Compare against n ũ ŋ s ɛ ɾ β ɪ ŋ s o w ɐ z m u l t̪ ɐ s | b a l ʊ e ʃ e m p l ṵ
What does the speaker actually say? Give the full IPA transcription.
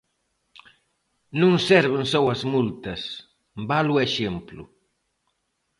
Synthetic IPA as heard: n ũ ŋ s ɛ ɾ β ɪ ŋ s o w ɐ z m u l t̪ ɐ s | b a l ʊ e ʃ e m p l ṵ